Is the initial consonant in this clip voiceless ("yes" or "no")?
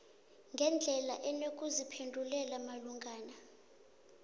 no